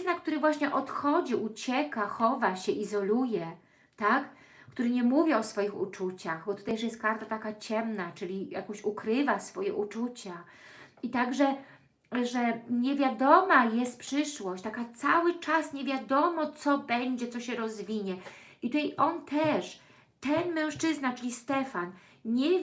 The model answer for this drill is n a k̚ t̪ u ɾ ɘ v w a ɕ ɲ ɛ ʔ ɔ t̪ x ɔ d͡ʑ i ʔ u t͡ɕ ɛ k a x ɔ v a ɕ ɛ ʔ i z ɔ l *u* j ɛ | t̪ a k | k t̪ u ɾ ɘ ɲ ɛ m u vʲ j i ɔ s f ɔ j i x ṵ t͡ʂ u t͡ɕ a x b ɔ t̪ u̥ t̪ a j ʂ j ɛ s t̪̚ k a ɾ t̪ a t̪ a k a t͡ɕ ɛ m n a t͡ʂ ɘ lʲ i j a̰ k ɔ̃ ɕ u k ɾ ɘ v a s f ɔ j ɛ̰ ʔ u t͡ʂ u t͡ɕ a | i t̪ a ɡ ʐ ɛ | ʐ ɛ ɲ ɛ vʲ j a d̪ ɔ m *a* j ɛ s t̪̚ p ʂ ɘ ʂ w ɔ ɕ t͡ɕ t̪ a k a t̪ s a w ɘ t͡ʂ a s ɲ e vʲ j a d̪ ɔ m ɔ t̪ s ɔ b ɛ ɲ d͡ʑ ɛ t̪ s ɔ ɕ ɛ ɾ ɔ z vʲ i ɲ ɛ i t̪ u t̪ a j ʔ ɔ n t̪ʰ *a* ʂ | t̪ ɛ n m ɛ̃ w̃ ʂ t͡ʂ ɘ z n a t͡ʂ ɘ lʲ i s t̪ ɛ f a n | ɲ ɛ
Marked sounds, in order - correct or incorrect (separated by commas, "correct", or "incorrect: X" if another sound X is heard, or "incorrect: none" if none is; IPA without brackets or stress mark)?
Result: correct, correct, incorrect: ɛ